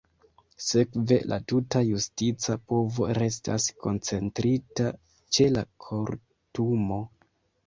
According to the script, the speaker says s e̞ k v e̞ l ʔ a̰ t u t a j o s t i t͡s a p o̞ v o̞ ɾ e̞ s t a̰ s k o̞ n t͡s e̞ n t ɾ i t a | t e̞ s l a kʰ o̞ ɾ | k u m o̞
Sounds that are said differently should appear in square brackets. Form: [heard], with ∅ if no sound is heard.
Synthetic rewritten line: s e̞ k v e̞ l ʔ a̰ t u t a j [u] s t i t͡s a p o̞ v o̞ ɾ e̞ s t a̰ s k o̞ n t͡s e̞ n t ɾ i t a | [t͡ʃ] e̞ [∅] l a kʰ o̞ ɾ | [t] u m o̞